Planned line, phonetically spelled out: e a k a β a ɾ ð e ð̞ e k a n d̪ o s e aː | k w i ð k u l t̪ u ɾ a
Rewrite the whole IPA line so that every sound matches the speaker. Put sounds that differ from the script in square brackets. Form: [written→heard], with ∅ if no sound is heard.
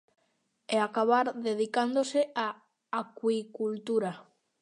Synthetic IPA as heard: e a k a β a ɾ ð e ð̞ [e→i] k a n d̪ o s e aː | k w i [ð→∅] k u l t̪ u ɾ a